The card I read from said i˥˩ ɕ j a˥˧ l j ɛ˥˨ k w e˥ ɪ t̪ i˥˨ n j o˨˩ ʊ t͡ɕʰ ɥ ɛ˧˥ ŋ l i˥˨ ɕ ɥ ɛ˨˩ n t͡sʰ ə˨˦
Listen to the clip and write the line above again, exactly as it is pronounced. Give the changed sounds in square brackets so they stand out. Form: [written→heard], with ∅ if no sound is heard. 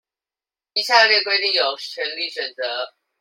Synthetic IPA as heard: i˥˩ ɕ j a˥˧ l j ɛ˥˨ k w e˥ ɪ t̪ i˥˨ [n→ŋ] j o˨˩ ʊ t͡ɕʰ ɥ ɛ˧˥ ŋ l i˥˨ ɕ ɥ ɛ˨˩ n [t͡sʰ→t͡s] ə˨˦